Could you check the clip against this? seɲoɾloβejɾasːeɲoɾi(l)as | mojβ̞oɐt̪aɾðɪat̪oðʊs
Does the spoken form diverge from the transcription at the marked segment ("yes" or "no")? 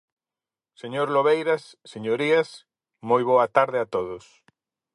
yes